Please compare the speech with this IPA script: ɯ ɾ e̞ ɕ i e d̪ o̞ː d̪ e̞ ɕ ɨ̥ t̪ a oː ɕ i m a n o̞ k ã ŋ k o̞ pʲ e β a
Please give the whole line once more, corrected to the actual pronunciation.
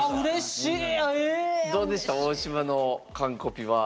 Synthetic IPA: ɯ ɾ e̞ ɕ i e d̪ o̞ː d̪ e̞ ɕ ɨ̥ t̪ a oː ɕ i m a n o̞ k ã ŋ k o̞ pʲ i β a